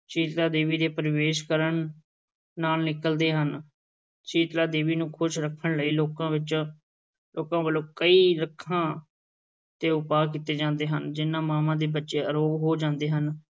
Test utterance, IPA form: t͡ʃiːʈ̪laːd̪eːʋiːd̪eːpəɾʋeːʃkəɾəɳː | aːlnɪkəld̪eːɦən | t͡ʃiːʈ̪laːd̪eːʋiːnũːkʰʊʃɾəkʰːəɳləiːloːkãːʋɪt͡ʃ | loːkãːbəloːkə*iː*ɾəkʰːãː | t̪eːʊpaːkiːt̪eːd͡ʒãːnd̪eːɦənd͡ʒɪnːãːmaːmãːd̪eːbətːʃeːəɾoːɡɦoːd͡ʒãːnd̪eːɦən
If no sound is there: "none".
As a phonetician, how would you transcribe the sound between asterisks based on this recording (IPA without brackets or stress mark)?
iː